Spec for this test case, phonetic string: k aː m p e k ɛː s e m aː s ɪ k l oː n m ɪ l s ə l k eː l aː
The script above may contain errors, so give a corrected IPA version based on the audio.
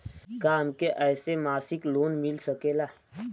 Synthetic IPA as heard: k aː m k e ʔ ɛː s e m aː s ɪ k l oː n m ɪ l s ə k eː l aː